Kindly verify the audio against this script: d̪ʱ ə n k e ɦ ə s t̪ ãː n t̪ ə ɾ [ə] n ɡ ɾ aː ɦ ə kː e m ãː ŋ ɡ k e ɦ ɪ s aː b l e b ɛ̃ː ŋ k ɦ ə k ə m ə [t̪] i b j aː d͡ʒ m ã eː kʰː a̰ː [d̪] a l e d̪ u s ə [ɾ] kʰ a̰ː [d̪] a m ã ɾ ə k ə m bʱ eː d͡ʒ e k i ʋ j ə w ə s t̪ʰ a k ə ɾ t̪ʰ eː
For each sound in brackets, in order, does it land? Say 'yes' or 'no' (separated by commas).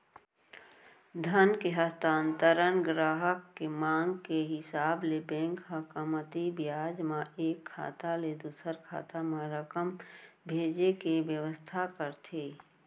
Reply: yes, yes, no, yes, no